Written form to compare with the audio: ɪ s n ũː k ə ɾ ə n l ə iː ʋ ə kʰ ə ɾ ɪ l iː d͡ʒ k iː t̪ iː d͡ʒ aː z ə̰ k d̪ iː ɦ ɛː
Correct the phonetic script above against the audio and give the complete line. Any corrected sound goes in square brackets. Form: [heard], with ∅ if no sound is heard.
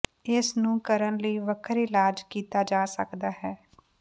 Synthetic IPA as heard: ɪ s n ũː k ə ɾ ə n l ə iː ʋ ə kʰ ə ɾ ɪ l [aː] d͡ʒ k iː t̪ [aː] d͡ʒ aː [s] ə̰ k d̪ [aː] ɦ ɛː